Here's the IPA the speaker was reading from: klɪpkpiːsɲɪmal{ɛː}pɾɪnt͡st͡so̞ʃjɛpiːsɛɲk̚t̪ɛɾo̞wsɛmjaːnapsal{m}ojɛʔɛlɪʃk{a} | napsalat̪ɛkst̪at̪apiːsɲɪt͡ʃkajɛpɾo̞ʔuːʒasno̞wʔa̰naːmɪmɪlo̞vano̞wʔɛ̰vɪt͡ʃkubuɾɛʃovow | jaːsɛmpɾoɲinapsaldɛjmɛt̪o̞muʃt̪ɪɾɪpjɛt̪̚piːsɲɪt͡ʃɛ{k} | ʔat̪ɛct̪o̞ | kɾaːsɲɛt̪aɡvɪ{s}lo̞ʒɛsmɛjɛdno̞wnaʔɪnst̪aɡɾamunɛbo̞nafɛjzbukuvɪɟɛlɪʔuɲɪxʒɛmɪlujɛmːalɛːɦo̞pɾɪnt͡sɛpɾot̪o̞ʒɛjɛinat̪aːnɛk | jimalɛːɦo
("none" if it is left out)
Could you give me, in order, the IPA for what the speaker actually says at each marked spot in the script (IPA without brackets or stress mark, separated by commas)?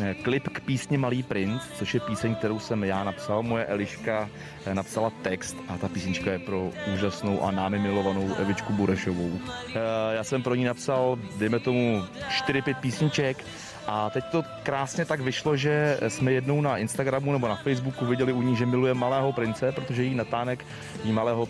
iː, m, a, k, ʃ